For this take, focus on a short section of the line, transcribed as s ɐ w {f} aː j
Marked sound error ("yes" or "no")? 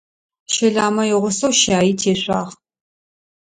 yes